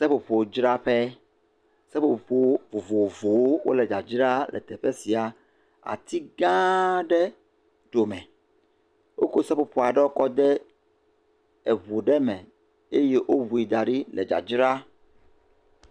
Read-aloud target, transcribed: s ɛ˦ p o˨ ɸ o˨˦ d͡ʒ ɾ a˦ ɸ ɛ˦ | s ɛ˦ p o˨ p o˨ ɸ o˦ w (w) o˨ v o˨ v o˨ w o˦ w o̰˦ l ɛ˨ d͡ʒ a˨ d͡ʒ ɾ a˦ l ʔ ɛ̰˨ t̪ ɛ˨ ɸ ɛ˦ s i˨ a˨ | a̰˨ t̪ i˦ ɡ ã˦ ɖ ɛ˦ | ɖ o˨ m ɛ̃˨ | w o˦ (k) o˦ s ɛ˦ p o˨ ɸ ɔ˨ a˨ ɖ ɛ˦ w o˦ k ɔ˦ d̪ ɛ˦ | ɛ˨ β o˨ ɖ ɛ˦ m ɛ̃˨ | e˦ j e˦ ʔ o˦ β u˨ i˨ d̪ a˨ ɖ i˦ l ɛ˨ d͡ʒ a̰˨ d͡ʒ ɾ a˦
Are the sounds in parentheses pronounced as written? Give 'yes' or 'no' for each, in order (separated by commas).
no, yes